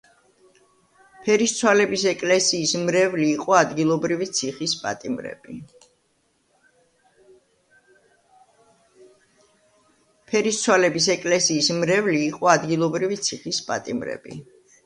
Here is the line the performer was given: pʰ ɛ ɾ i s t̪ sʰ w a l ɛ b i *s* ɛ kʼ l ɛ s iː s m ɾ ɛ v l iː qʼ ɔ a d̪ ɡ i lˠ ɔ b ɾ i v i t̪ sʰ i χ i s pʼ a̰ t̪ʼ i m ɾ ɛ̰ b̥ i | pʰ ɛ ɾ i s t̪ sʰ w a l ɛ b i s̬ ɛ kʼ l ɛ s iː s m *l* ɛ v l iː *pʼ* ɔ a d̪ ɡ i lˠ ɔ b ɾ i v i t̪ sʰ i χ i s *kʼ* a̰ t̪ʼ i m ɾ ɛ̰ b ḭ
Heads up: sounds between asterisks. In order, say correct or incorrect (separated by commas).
correct, incorrect, incorrect, incorrect